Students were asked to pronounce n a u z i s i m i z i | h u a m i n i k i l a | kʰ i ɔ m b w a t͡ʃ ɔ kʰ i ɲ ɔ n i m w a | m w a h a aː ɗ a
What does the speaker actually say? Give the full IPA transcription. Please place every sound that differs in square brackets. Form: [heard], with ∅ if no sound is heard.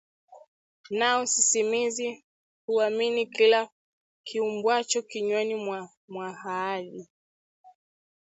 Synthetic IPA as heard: n a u [s] i s i m i z i | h u a m i n i k i l a | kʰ i [u] m b w a t͡ʃ ɔ [k] i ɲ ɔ n i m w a | m w a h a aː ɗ [i]